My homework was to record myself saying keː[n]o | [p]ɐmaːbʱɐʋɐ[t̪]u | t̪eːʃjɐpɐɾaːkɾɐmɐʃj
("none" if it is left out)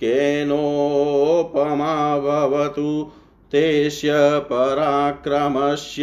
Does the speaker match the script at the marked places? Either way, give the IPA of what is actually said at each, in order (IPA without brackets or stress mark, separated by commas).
n, p, t̪